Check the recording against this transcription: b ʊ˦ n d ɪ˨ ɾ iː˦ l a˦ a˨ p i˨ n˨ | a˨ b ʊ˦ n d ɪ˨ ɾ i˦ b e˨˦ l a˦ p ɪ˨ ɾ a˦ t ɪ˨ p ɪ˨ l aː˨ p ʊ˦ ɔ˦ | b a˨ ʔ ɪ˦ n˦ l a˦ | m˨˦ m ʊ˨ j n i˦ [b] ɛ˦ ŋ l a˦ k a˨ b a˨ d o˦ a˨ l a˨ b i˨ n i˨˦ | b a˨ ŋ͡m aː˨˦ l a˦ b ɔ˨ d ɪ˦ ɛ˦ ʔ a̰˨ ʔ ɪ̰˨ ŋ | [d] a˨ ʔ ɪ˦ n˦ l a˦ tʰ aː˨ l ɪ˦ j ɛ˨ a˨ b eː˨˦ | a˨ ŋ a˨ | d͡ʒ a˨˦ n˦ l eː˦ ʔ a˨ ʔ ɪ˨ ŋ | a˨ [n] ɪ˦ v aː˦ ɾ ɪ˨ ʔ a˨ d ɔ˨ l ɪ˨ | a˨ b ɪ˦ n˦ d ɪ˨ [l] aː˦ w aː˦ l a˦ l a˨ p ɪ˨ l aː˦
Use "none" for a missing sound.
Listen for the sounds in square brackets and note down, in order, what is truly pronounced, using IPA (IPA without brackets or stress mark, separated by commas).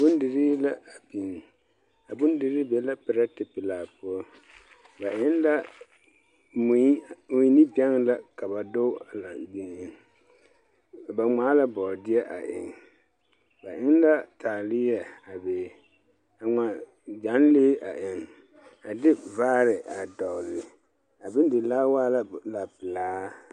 b, b, d, l